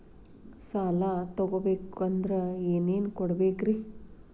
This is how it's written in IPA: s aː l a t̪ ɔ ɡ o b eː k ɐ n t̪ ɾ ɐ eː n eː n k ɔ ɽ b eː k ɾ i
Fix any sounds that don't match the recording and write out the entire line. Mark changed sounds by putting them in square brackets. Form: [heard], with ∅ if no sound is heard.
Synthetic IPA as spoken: s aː l a t̪ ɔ ɡ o b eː k ɐ n [d̪] ɾ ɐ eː n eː n k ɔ ɽ b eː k ɾ i